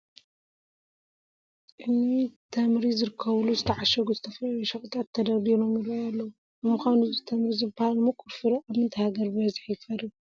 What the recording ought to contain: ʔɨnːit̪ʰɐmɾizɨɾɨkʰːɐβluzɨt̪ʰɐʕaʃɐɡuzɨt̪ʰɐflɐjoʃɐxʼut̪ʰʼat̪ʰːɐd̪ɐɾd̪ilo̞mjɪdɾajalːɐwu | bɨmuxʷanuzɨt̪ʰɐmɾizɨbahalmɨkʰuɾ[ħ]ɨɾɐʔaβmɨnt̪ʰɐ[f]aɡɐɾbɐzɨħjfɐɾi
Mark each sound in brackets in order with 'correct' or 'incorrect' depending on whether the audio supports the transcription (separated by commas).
incorrect, incorrect